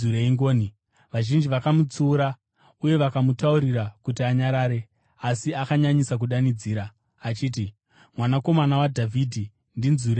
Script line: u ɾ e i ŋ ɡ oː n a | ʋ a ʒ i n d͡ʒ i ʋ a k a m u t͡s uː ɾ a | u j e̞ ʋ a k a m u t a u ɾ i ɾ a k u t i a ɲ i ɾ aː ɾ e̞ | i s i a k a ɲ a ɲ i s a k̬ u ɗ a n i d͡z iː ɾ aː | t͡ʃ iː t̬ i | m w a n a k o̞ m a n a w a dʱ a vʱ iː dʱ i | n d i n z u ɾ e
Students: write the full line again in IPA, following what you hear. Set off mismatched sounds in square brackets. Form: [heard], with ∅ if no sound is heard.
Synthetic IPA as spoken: u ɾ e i ŋ ɡ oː n [i] | ʋ a ʒ i n d͡ʒ i ʋ a k a m u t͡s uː ɾ a | u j e̞ ʋ a k a m u t a u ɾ i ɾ a k u t i a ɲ [a] ɾ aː ɾ e̞ | [a] s i a k a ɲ a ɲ i s a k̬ u ɗ a n i d͡z iː ɾ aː | t͡ʃ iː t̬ i | m w a n a k o̞ m a n a w a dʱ a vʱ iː dʱ i | n d i n z u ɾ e

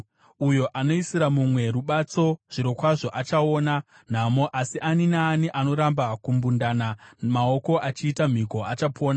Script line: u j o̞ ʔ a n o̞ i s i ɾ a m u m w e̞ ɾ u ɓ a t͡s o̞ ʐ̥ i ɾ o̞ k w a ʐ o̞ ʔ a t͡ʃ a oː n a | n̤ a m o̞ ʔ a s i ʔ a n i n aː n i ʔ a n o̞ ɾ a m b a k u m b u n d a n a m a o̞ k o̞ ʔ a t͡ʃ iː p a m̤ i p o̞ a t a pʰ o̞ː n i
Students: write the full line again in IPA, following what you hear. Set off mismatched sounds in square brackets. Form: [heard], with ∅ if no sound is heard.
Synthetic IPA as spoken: u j o̞ ʔ a n o̞ i s i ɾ a m u m w e̞ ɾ u ɓ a t͡s o̞ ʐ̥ i ɾ o̞ k w a ʐ o̞ ʔ a t͡ʃ a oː n a | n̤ a m o̞ ʔ a s i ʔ a n i n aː n i ʔ a n o̞ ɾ a m b a k u m b u n d a n a m a o̞ k o̞ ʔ a t͡ʃ iː [t] a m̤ i [k] o̞ a [t͡ʃ] a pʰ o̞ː n [a]

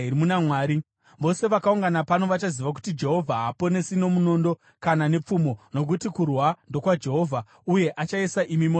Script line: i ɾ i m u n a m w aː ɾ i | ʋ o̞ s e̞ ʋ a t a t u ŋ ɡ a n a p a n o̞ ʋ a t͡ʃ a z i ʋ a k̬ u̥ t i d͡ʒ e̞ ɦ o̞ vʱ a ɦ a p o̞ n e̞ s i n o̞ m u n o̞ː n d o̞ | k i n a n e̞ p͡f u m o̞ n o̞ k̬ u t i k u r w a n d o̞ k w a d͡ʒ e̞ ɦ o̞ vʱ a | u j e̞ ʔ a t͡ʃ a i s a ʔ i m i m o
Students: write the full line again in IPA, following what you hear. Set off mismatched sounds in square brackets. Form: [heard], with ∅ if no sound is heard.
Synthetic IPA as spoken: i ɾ i m u n a m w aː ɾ i | ʋ o̞ s e̞ ʋ a [k] a [∅] u ŋ ɡ a n a p a n o̞ ʋ a t͡ʃ a z i ʋ a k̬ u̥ t i d͡ʒ e̞ ɦ o̞ vʱ a ɦ a p o̞ n e̞ s i n o̞ m u n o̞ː n d o̞ | k [a] n a n e̞ p͡f u m o̞ n o̞ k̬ u t i k u r w a n d o̞ k w a d͡ʒ e̞ ɦ o̞ vʱ a | u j e̞ ʔ a t͡ʃ a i s a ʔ i m i m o

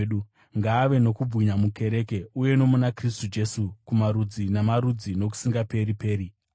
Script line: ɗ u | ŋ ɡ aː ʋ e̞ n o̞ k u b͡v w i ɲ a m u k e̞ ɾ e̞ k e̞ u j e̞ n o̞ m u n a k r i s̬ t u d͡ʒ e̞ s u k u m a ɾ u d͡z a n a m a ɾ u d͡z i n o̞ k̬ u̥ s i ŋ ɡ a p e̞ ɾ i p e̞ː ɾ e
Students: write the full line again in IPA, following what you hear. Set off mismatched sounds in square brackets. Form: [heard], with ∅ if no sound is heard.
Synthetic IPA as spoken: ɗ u | ŋ ɡ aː ʋ e̞ n o̞ k u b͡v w i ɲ a m u k e̞ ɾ e̞ k e̞ u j e̞ n o̞ m u n a k r i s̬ t u d͡ʒ e̞ s u k u m a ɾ u d͡z [i] n a m a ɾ u d͡z i n o̞ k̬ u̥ s i ŋ ɡ a p e̞ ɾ i p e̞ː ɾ [i]

